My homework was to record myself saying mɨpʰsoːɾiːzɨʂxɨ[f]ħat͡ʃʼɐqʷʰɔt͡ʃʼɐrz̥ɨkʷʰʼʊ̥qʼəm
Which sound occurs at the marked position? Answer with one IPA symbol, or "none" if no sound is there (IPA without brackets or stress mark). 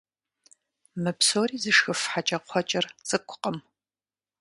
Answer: f